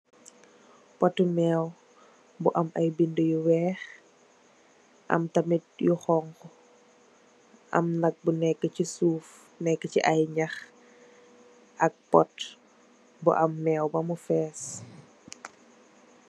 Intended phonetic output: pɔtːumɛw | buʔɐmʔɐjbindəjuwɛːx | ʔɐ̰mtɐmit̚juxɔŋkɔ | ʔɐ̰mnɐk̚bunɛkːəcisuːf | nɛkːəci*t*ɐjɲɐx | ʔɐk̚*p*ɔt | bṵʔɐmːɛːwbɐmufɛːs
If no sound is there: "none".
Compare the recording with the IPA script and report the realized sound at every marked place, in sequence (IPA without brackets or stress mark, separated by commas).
ʔ, p